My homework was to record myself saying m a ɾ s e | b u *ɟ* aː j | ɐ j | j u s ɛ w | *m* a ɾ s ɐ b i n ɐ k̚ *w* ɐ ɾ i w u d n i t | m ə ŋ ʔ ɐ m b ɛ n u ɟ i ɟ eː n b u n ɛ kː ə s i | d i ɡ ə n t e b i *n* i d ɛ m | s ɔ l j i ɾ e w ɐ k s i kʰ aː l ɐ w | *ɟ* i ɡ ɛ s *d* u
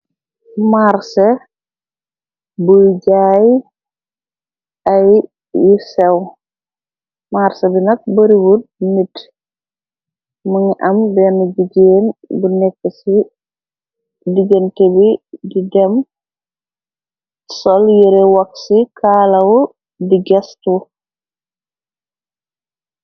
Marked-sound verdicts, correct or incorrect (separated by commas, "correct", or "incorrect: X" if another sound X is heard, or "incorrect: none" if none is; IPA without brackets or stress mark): correct, correct, incorrect: b, incorrect: d, incorrect: d, incorrect: t